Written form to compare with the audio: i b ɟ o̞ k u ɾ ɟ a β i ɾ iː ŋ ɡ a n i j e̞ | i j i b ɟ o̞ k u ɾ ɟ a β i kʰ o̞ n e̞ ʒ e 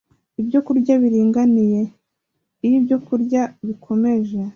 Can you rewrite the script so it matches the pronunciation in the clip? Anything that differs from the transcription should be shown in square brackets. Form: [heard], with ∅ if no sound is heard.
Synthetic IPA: i b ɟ o̞ k u ɾ ɟ a β i ɾ iː ŋ ɡ a n i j e̞ | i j i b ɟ o̞ k u ɾ ɟ a β i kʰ o̞ [m] e̞ ʒ e